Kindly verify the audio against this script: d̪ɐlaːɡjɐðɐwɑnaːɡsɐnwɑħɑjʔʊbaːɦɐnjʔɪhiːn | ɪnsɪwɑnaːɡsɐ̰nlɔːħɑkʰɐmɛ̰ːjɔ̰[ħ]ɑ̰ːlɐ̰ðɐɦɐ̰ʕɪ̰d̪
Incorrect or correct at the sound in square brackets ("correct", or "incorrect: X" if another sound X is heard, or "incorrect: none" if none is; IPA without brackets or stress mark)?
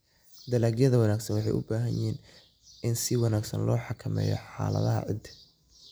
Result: correct